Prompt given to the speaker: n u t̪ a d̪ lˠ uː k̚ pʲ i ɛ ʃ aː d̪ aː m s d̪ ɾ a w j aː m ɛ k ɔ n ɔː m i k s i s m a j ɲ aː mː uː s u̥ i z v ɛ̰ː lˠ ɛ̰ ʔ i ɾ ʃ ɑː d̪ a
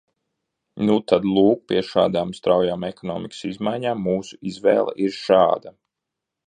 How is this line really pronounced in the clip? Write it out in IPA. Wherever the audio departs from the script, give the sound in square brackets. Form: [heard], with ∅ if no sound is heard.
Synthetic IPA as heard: n u t̪ a d̪ lˠ uː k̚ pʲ i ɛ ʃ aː d̪ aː m s [t̪] ɾ a w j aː m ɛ k ɔ n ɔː m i k s i [z] m a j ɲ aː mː uː s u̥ i z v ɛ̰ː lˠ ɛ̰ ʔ i ɾ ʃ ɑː d̪ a